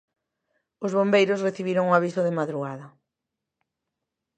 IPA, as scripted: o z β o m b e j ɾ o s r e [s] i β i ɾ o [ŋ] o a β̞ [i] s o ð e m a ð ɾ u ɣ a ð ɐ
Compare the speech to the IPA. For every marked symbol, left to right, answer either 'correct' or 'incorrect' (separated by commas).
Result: incorrect, correct, correct